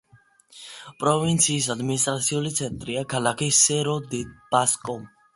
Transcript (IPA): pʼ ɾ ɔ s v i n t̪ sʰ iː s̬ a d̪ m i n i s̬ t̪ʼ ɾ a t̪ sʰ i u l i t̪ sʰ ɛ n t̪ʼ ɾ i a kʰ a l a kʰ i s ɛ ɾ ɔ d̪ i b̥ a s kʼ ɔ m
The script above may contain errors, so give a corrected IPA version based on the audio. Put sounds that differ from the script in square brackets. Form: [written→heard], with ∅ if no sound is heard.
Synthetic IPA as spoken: pʼ ɾ ɔ [s→∅] v i n t̪ sʰ iː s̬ a d̪ m i n i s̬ t̪ʼ ɾ a t̪ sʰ i u l i t̪ sʰ ɛ n t̪ʼ ɾ i a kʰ a l a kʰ i s ɛ ɾ ɔ d̪ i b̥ a s kʼ ɔ m